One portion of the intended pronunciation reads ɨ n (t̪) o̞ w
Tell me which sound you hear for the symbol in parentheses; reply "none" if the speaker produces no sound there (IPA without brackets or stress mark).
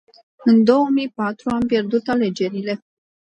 d̪